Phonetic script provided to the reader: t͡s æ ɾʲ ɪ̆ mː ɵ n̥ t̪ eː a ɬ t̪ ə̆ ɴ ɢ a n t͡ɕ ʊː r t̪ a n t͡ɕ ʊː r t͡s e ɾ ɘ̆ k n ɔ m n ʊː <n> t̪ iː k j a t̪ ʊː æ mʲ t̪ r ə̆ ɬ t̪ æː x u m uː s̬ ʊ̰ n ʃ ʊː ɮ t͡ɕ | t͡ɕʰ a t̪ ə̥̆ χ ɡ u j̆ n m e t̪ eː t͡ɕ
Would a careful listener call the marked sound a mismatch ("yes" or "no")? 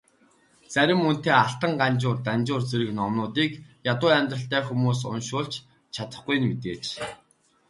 yes